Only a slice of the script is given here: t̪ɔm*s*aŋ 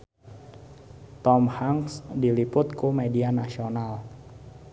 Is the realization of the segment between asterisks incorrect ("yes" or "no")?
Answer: yes